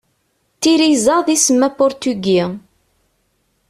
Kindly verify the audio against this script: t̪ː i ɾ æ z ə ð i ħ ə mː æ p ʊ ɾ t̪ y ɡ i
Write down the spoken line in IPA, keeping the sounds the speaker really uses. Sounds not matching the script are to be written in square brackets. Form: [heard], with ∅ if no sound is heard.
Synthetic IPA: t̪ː i ɾ [i] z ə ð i [s] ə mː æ p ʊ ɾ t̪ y ɡ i